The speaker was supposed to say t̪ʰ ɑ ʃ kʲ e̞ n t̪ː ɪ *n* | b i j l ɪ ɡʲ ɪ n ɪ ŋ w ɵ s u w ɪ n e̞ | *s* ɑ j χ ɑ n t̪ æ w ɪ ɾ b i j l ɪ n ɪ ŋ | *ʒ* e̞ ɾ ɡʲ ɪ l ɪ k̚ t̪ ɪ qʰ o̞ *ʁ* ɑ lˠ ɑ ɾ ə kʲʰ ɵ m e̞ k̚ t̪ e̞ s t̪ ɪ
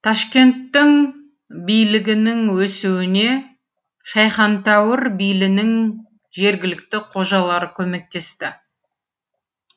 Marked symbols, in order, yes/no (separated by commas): no, no, yes, no